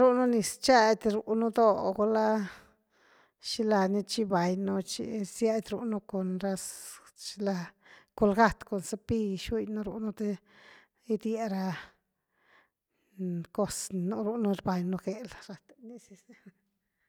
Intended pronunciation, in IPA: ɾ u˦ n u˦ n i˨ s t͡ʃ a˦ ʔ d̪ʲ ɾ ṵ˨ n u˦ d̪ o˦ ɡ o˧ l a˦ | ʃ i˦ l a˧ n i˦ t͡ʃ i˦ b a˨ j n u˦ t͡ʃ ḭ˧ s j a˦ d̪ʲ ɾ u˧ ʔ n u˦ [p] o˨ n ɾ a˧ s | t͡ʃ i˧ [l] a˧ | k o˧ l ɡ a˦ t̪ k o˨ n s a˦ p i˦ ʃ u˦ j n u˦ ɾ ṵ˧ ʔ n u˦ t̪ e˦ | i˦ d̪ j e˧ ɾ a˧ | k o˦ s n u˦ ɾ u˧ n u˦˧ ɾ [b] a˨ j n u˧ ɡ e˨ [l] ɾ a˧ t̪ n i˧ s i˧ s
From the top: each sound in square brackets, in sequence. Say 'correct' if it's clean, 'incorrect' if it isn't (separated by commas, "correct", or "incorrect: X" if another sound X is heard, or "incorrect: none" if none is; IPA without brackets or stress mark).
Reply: incorrect: k, correct, correct, correct